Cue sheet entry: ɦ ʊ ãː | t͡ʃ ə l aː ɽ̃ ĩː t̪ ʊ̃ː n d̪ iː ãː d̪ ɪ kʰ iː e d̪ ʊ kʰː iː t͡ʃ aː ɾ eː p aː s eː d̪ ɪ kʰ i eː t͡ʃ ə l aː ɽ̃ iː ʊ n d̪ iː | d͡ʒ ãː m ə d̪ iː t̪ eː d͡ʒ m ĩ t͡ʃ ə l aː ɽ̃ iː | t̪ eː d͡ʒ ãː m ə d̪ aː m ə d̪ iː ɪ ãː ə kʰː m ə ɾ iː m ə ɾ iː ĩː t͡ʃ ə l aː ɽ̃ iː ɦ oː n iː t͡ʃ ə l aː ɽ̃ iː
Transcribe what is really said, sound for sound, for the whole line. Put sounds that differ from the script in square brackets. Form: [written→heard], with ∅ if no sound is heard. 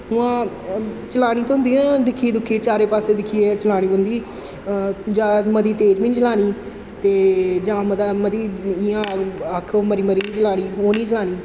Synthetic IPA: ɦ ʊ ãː | t͡ʃ ə l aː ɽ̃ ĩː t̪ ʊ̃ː n d̪ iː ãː d̪ ɪ kʰ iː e d̪ ʊ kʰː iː t͡ʃ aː ɾ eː p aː s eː d̪ ɪ kʰ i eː t͡ʃ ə l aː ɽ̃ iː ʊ n d̪ iː | d͡ʒ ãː m ə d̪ iː t̪ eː d͡ʒ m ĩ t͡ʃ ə l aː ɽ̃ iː | t̪ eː d͡ʒ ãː m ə d̪ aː m ə d̪ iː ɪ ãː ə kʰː m ə ɾ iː m ə ɾ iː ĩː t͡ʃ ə l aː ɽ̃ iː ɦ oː n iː t͡ʃ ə l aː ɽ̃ iː